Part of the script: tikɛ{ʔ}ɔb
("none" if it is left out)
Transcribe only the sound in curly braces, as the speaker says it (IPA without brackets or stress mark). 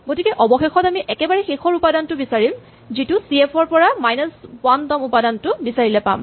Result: ʔ